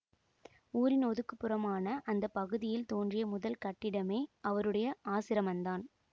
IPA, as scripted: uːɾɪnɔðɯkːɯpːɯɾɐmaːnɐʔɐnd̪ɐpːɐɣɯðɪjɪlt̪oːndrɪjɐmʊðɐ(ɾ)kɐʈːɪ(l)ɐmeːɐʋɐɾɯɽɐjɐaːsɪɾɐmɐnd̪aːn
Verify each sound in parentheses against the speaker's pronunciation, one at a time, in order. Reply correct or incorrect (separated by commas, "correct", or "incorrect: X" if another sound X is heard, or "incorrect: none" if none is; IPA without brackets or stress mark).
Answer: incorrect: l, incorrect: ɽ